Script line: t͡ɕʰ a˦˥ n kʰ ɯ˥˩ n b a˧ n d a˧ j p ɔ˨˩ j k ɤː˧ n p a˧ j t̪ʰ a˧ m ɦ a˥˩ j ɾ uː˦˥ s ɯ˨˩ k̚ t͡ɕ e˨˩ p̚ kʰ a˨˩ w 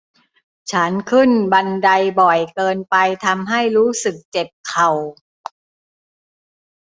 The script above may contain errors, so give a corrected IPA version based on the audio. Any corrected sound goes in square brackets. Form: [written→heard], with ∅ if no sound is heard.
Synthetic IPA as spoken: t͡ɕʰ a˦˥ n kʰ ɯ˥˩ n b a˧ n d a˧ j [p→b] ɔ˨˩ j k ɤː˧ n p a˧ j t̪ʰ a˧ m ɦ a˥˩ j ɾ uː˦˥ s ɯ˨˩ k̚ t͡ɕ e˨˩ p̚ kʰ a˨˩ w